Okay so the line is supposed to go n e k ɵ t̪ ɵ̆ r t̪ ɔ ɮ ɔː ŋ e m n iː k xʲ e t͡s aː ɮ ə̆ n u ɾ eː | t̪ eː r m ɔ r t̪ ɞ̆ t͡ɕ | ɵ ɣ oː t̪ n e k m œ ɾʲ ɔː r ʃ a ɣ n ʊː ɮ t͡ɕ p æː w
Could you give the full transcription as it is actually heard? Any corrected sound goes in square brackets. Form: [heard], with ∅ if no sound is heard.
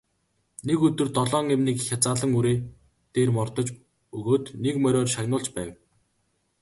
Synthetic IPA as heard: n e k ɵ t̪ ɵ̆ r t̪ ɔ ɮ ɔː ŋ e m n iː k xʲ [a] t͡s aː ɮ ə̆ [ŋ] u ɾ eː | t̪ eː r m ɔ r t̪ ɞ̆ t͡ɕ | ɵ ɣ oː t̪ n e k m œ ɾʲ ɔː r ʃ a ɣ n ʊː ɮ t͡ɕ p æː w